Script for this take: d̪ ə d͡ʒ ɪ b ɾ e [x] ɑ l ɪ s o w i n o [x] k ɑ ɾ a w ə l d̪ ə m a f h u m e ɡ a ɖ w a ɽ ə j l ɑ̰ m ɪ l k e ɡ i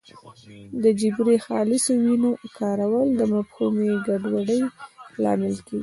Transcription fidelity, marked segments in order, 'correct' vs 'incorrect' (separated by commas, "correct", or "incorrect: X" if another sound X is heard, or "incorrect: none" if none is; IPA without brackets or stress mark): correct, incorrect: none